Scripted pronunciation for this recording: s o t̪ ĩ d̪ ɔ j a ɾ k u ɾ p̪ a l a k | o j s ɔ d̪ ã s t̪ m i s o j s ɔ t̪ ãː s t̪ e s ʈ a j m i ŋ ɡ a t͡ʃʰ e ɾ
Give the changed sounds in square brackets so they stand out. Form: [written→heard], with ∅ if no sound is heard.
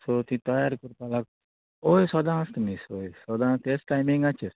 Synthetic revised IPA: s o t̪ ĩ [d̪→t̪] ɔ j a ɾ k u ɾ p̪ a l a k | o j s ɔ d̪ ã s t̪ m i s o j s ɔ [t̪→d̪] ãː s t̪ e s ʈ a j m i ŋ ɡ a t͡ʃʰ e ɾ